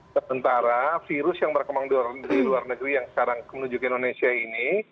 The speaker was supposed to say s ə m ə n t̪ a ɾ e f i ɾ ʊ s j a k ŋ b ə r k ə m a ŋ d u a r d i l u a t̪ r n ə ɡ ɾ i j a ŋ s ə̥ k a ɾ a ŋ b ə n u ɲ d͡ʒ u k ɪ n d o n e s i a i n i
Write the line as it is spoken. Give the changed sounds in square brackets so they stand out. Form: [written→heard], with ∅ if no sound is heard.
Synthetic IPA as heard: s ə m ə n t̪ a ɾ [e→a] f i ɾ ʊ s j a [k→∅] ŋ b ə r k ə m a ŋ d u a r d i l u a [t̪→∅] r n ə ɡ ɾ i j a ŋ s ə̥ k a ɾ a ŋ [b→m] ə n u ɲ d͡ʒ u k ɪ n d o n e s i a i n i